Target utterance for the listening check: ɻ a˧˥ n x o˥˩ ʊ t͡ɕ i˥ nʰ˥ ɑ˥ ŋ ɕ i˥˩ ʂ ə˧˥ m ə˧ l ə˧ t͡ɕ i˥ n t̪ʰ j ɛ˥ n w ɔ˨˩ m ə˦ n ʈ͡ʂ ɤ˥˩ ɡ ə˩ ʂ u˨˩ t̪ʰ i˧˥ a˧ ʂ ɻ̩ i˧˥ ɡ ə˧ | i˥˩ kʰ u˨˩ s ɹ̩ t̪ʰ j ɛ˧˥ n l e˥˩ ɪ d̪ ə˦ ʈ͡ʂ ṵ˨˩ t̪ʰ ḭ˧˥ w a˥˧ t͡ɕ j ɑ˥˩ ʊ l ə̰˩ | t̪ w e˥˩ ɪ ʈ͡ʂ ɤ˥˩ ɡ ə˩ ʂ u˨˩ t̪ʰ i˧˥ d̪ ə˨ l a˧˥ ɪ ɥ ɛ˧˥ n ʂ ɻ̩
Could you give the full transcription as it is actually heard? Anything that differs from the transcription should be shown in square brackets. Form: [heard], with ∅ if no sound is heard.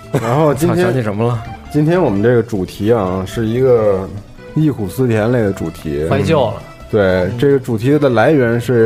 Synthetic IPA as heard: ɻ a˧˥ n x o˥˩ ʊ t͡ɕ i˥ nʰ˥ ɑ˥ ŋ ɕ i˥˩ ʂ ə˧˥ m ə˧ l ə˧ t͡ɕ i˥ n t̪ʰ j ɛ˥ n w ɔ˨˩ m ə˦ n ʈ͡ʂ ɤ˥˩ ɡ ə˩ [ʈ͡ʂ] u˨˩ t̪ʰ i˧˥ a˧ ʂ ɻ̩ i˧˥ ɡ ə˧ | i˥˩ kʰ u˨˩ s ɹ̩ t̪ʰ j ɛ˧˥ n l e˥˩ ɪ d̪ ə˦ ʈ͡ʂ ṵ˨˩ t̪ʰ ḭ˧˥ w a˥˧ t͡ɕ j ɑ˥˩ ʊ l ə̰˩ | t̪ w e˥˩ ɪ ʈ͡ʂ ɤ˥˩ ɡ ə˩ [ʈ͡ʂ] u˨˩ t̪ʰ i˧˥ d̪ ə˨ l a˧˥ ɪ ɥ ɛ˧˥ n ʂ ɻ̩